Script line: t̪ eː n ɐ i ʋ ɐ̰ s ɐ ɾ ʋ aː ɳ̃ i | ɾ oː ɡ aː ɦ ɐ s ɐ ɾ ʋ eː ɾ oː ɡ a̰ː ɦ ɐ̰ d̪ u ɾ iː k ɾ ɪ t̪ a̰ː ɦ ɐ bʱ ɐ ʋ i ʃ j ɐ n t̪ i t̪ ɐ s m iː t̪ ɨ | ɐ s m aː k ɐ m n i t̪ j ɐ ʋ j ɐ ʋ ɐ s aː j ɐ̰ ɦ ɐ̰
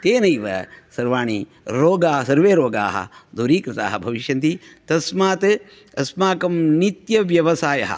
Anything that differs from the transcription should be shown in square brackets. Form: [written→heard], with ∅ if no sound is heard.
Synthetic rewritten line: t̪ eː n ɐ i ʋ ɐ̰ s ɐ ɾ ʋ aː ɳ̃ i | ɾ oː ɡ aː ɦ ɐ s ɐ ɾ ʋ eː ɾ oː ɡ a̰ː ɦ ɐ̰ d̪ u ɾ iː k ɾ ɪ t̪ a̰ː ɦ ɐ bʱ ɐ ʋ i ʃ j ɐ n t̪ i t̪ ɐ s m [iː→aː] t̪ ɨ | ɐ s m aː k ɐ m n i t̪ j ɐ ʋ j ɐ ʋ ɐ s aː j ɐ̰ ɦ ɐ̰